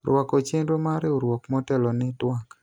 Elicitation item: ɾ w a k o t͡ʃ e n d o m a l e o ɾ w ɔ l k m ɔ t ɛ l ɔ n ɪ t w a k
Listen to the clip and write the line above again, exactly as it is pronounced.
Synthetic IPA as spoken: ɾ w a k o t͡ʃ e n d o m a ɾ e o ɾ w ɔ k m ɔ t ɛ l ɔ n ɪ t w a k